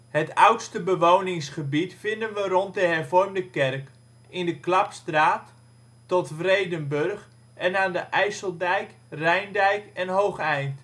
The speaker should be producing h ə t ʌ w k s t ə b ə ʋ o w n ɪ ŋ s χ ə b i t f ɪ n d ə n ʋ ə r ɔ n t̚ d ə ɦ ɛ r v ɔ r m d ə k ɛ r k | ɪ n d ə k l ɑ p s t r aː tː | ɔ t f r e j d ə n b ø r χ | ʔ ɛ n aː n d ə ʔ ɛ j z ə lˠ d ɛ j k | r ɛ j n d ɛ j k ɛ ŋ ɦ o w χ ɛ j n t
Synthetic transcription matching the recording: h ə t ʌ w t s t ə b ə ʋ o w n ɪ ŋ s χ ə b i t f ɪ n d ə n ʋ ə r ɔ n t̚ d ə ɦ ɛ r v ɔ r m d ə k ɛ r k | ɪ n d ə k l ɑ p s t r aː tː | ɔ t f r e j d ə n b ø r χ | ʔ ɛ n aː n d ə ʔ ɛ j s ə lˠ d ɛ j k | r ɛ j n d ɛ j k ɛ n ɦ o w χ ɛ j n t